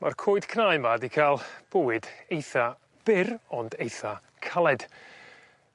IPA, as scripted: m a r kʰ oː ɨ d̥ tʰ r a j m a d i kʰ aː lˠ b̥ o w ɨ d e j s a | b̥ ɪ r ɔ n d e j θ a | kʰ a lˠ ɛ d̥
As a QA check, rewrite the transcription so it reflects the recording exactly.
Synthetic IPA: m a r kʰ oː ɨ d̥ kʰ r a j m a d i kʰ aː lˠ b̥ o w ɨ d e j θ a | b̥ ɪ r ɔ n d e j θ a | kʰ a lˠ ɛ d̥